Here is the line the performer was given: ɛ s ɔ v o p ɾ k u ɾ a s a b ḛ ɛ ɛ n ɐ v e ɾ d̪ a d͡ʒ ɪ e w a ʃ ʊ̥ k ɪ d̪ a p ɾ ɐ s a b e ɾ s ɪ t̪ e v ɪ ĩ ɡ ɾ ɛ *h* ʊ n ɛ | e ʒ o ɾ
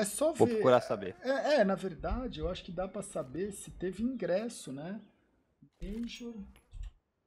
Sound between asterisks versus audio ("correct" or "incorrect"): incorrect